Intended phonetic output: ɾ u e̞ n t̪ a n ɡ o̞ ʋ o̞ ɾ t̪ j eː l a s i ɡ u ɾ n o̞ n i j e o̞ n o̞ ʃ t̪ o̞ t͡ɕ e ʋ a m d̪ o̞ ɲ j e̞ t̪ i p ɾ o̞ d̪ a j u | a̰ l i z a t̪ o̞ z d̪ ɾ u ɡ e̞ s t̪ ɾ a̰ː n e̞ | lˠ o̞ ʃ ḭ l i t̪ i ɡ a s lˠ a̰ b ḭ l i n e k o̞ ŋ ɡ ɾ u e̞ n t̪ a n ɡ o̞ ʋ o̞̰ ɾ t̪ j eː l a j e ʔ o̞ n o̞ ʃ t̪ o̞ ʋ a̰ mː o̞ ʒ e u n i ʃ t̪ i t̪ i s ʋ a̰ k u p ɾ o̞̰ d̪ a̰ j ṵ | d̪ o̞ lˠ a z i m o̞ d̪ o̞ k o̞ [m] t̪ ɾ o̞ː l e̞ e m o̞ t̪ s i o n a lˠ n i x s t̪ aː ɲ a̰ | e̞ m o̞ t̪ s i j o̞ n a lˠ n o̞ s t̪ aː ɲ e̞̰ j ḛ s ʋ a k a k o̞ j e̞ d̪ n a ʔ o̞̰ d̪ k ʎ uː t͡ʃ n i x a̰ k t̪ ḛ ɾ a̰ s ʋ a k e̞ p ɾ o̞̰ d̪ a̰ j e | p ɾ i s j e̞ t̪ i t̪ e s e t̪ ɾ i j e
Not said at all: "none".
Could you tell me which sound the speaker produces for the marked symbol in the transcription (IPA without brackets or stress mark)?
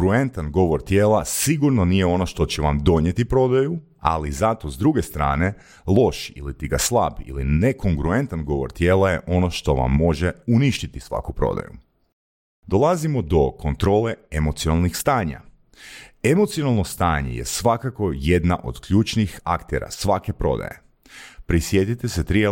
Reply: n